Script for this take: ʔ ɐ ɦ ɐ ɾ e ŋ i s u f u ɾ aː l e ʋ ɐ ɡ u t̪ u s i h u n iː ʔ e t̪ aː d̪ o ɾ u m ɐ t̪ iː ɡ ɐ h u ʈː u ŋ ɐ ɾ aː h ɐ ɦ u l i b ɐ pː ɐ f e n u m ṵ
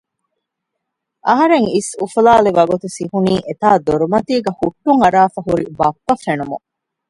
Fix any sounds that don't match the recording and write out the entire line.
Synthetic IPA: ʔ ɐ ɦ ɐ ɾ e ŋ i s u f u l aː l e ʋ ɐ ɡ u t̪ u s i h u n iː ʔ e t̪ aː d̪ o ɾ u m ɐ t̪ iː ɡ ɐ h u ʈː u ŋ ɐ ɾ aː f ɐ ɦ u ɾ i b ɐ pː ɐ f e n u m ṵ